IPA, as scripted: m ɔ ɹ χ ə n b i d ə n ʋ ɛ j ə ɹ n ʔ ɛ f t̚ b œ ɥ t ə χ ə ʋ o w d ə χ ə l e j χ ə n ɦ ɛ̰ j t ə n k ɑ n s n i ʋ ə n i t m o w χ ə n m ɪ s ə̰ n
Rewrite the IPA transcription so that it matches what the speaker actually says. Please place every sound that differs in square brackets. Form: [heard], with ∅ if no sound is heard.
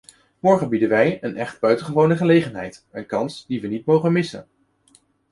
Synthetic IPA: m ɔ ɹ χ ə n b i d ə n ʋ ɛ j ə [∅] n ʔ ɛ [χ] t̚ b œ ɥ t ə χ ə ʋ o w [n] ə χ ə l e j χ ə n ɦ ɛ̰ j t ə n k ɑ n s [d] i ʋ ə n i t m o w χ ə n m ɪ s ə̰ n